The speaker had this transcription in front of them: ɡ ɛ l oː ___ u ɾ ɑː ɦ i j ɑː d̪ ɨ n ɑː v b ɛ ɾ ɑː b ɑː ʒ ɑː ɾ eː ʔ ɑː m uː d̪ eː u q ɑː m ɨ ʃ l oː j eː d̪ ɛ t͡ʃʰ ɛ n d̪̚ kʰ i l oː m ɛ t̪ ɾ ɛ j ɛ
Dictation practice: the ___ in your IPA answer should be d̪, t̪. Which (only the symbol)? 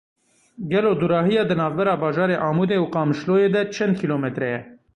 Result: d̪